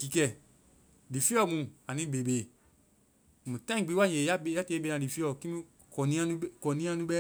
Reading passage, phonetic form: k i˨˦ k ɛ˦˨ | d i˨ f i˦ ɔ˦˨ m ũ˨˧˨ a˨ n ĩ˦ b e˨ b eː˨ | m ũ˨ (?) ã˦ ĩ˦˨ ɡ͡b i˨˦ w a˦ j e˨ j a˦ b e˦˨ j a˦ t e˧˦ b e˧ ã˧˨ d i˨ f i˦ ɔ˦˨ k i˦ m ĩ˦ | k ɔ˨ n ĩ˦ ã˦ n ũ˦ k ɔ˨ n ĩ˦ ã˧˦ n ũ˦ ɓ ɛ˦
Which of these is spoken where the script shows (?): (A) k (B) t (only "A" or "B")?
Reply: B